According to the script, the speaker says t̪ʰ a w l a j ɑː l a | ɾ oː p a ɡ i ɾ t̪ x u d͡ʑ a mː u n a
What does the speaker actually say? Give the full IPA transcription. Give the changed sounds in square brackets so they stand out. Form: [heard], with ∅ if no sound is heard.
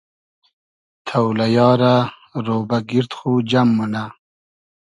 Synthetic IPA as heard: t̪ʰ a w l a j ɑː [ɾ] a | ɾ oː [b] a ɡ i ɾ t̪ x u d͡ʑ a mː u n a